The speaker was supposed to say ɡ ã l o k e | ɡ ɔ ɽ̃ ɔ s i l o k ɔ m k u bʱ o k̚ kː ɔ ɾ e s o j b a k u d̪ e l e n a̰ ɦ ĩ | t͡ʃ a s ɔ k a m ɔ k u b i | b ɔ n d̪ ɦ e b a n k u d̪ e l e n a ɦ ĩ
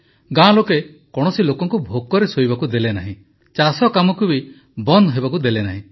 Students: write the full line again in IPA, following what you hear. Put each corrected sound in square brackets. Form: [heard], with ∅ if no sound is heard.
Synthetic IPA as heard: ɡ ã l o k e | [k] ɔ ɽ̃ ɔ s i l o k ɔ [ŋ] k u bʱ o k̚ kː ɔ ɾ e s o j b a k u d̪ e l e n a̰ ɦ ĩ | t͡ʃ a s ɔ k a m ɔ k u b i | b ɔ n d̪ ɦ e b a [∅] k u d̪ e l e n a ɦ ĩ

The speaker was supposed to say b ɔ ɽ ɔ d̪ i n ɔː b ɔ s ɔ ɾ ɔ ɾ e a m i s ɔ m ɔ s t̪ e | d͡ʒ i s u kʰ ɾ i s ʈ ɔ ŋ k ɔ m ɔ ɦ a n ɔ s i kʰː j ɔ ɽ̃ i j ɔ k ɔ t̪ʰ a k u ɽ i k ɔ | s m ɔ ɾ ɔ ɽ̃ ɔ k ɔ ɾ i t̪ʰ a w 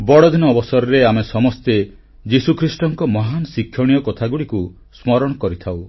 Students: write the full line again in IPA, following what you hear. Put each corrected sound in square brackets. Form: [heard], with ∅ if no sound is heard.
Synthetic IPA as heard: b ɔ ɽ ɔ d̪ i n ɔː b ɔ s ɔ ɾ ɔ ɾ e a m [e] s ɔ m ɔ s t̪ e | d͡ʒ i s u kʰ ɾ i s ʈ ɔ ŋ k ɔ m ɔ ɦ a n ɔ s i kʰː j ɔ ɽ̃ i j ɔ k ɔ t̪ʰ a [ɡ] u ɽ i k [u] | s m ɔ ɾ ɔ ɽ̃ ɔ k ɔ ɾ i t̪ʰ a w

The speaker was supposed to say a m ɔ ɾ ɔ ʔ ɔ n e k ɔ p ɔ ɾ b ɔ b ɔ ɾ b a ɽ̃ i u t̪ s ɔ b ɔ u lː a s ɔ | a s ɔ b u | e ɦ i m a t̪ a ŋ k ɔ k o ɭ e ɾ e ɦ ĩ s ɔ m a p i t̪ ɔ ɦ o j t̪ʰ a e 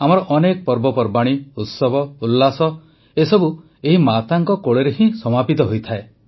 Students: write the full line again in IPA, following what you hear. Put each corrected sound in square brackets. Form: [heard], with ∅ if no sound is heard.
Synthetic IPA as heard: a m ɔ ɾ ɔ ʔ ɔ n e k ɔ p ɔ ɾ b ɔ [p] ɔ ɾ b a ɽ̃ i u t̪ s ɔ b ɔ u lː a s ɔ | [e] s ɔ b u | e ɦ i m a t̪ a ŋ k ɔ k o ɭ e ɾ e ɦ ĩ s ɔ m a p i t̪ ɔ ɦ o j t̪ʰ a e

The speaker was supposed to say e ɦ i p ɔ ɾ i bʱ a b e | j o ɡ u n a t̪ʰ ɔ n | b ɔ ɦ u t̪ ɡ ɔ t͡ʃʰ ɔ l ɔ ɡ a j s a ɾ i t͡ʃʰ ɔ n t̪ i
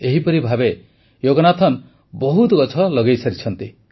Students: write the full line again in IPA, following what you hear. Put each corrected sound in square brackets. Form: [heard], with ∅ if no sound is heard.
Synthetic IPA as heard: e ɦ i p ɔ ɾ i bʱ a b e | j o ɡ [ɔ] n a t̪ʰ ɔ n | b ɔ ɦ u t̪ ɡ ɔ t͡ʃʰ ɔ l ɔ ɡ [e] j s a ɾ i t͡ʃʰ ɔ n t̪ i

